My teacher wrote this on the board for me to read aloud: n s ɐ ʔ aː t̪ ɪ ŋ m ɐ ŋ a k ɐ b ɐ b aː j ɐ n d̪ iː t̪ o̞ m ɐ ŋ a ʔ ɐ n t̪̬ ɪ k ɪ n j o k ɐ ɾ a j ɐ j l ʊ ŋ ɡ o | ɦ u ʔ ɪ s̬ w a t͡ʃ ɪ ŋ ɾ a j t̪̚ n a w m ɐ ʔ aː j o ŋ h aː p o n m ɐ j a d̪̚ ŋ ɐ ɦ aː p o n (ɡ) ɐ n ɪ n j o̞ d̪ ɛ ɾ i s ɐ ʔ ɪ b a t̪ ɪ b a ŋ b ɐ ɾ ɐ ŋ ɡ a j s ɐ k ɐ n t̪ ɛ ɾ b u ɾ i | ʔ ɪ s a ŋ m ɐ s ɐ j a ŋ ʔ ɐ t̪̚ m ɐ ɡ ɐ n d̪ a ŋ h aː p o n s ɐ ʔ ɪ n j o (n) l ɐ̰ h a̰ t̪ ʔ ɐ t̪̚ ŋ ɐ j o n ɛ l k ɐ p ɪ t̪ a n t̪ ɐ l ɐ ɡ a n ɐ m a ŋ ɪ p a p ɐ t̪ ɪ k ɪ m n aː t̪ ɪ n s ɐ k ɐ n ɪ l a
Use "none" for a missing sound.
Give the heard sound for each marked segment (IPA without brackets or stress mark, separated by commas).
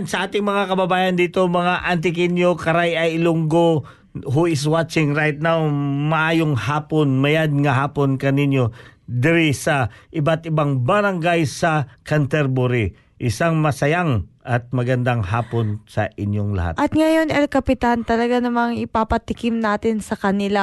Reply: k, ŋ